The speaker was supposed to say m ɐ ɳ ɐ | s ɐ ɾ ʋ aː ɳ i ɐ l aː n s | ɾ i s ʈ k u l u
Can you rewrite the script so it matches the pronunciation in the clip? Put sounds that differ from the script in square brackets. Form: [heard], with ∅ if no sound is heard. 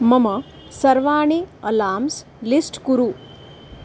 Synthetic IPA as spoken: m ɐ [m] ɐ | s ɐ ɾ ʋ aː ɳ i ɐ l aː [m] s | [l] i s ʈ k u [ɾ] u